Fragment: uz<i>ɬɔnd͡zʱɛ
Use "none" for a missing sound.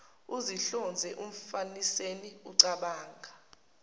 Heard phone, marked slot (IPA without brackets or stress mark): i